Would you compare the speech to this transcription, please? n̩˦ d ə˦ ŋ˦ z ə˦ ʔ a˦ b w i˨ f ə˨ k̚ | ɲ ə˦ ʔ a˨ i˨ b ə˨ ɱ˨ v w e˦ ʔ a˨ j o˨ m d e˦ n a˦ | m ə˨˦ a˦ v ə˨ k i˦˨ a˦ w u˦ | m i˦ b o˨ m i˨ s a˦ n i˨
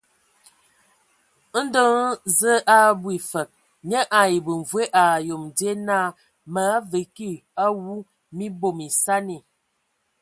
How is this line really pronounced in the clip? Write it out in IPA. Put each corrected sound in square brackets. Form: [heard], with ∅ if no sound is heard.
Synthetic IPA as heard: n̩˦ d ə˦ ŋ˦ z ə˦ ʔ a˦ b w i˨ f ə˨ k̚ | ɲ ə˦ ʔ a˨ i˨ b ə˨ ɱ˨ v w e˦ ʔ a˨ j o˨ m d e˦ n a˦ | m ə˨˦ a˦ v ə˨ k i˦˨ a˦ w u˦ | m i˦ b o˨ m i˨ s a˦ n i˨